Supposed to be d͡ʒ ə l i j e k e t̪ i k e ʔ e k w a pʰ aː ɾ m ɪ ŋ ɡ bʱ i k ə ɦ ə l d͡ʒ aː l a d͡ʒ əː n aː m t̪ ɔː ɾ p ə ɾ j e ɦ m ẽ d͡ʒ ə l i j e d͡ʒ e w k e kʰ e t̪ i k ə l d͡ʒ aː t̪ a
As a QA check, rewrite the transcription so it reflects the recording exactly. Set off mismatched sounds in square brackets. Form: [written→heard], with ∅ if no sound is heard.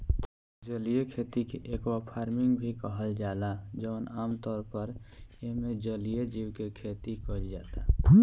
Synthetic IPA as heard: d͡ʒ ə l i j e [k→kʰ] e t̪ i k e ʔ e k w a pʰ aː ɾ m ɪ ŋ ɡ bʱ i k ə ɦ ə l d͡ʒ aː l a d͡ʒ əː n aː m t̪ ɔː ɾ p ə ɾ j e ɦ m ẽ d͡ʒ ə l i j e d͡ʒ [e→i] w k e kʰ e t̪ i k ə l d͡ʒ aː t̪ a